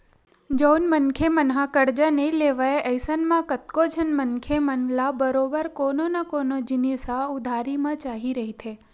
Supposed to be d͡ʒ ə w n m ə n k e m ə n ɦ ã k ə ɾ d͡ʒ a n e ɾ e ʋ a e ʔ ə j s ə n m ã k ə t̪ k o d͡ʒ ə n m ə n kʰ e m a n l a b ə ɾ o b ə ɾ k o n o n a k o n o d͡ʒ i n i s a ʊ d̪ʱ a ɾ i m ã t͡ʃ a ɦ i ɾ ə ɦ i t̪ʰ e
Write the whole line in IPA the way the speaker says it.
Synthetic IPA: d͡ʒ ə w n m ə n kʰ e m ə n ɦ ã k ə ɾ d͡ʒ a n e l e ʋ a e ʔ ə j s ə n m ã k ə t̪ k o d͡ʒ ə n m ə n kʰ e m ə n l a b ə ɾ o b ə ɾ k o n o n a k o n o d͡ʒ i n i s a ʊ d̪ʱ a ɾ i m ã t͡ʃ a ɦ i ɾ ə ɦ i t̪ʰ e